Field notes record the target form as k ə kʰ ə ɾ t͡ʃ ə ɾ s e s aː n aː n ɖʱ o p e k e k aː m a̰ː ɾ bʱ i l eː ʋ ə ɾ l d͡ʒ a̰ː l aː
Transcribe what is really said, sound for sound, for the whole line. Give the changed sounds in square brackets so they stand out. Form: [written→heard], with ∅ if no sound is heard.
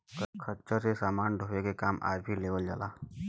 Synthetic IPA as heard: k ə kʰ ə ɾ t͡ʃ ə ɾ s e s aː [n→m] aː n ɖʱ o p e k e k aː m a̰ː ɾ bʱ i l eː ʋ ə [ɾ→∅] l d͡ʒ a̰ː l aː

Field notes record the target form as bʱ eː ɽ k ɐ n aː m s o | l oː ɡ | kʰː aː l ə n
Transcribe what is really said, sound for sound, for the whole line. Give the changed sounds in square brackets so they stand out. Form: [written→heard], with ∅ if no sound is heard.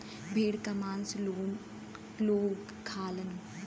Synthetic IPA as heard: bʱ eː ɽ k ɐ [n→m] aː [m→n] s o | l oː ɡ | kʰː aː l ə n

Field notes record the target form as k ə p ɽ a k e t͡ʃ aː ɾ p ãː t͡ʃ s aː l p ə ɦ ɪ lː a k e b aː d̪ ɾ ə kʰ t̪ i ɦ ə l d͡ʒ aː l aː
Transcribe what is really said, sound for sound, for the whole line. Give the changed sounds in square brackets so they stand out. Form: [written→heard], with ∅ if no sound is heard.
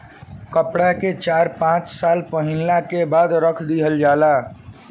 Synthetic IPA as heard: k ə p ɽ a k e t͡ʃ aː ɾ p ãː t͡ʃ s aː l p ə ɦ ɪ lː a k e b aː d̪ ɾ ə kʰ [t̪→d̪] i ɦ ə l d͡ʒ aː l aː

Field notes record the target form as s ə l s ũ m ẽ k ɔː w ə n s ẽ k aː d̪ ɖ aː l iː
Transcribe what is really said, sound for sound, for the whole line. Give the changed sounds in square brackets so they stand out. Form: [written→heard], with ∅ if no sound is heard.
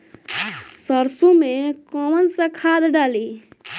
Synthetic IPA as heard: s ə [l→ɾ] s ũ m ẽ k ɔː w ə n s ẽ [k→kʰ] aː d̪ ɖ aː l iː

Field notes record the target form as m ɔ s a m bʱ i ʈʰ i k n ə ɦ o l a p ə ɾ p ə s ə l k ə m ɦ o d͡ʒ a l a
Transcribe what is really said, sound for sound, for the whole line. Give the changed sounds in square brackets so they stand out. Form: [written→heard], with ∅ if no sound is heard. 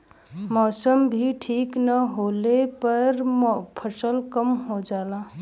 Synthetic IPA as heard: m ɔ s [a→ə] m bʱ i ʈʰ i k n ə ɦ o l [a→e] p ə ɾ [p→pʰ] ə s ə l k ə m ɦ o d͡ʒ a l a

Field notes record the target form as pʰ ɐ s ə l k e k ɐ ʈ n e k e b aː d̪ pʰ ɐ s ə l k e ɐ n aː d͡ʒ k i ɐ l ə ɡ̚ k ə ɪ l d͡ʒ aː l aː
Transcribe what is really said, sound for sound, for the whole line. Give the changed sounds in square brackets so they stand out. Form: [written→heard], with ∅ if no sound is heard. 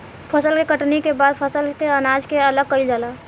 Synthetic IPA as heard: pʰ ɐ s ə l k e k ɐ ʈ n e k e b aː d̪ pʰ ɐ s ə l k e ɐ n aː d͡ʒ k [i→e] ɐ l ə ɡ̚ k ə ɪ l d͡ʒ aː l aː

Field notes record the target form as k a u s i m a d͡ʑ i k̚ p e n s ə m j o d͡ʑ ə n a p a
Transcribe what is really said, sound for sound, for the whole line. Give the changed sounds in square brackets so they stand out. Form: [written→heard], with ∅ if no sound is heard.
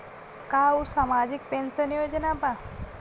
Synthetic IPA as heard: k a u s [i→a] m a d͡ʑ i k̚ p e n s ə [m→n] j o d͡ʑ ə n a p a

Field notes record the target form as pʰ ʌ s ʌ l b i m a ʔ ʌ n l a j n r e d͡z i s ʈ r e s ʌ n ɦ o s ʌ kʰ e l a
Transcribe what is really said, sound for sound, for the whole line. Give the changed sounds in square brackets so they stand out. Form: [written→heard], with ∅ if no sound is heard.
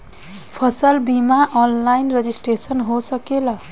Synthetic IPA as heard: pʰ ʌ s ʌ l b i m a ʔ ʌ n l a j n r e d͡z i s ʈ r e s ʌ n ɦ o s ʌ [kʰ→k] e l [a→ʌ]

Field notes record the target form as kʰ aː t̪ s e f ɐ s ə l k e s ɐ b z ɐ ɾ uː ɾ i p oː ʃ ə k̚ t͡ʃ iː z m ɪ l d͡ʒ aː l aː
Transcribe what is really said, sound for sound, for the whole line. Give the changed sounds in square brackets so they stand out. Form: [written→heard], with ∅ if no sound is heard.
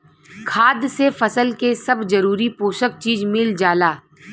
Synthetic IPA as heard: kʰ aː [t̪→d̪] s e f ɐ s ə l k e s ɐ b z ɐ ɾ uː ɾ i p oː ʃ ə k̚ t͡ʃ iː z m ɪ l d͡ʒ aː l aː

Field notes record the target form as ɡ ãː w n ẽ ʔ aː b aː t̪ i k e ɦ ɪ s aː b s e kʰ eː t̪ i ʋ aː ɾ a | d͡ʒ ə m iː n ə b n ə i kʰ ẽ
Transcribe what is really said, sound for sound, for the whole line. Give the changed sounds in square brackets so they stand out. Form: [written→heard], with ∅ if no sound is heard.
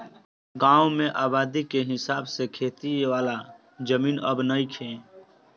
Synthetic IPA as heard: ɡ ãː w [n→m] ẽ ʔ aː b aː [t̪→d̪] i k e ɦ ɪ s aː b s e kʰ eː t̪ i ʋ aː [ɾ→l] a | d͡ʒ ə m iː n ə b n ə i kʰ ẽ

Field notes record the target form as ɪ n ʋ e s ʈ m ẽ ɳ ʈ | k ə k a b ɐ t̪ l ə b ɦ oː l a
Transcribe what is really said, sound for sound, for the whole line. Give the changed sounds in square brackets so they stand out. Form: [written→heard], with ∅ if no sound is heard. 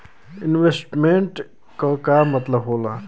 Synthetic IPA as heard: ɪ n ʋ e s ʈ m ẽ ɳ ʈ | k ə k a [b→m] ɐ t̪ l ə b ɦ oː l a

